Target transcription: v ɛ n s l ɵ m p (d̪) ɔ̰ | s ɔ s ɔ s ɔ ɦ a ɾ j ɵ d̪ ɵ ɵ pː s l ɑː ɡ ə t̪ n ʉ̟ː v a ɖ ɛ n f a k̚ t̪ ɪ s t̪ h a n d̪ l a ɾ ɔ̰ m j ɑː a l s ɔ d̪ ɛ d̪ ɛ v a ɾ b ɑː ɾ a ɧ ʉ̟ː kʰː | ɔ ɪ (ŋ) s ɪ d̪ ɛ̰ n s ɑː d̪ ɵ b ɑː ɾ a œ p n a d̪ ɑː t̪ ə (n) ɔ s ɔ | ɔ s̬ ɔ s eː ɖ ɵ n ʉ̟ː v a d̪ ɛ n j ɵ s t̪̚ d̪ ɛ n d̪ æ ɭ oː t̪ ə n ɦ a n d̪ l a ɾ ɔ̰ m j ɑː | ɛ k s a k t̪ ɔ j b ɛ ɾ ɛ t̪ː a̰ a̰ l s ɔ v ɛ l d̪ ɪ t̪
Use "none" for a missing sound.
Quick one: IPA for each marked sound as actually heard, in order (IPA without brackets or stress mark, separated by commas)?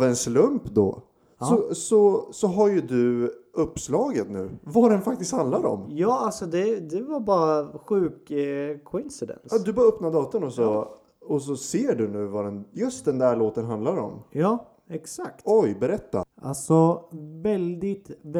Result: d̪, n, n